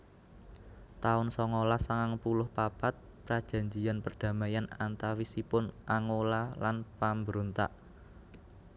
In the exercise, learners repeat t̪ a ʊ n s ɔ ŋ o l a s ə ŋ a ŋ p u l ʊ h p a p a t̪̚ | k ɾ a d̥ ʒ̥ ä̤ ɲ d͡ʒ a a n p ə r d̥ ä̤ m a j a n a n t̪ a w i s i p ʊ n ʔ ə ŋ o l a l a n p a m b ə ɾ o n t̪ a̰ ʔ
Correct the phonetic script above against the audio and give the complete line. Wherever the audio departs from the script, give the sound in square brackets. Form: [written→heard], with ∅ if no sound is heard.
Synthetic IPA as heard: t̪ a ʊ n s ɔ ŋ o l a s [ə→a] ŋ a ŋ p u l ʊ h p a p a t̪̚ | [k→p] ɾ a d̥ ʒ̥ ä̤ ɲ d͡ʒ [a→i] a n p ə r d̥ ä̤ m a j a n a n t̪ a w i s i p ʊ n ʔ [ə→a] ŋ o l a l a n p a m b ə ɾ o n t̪ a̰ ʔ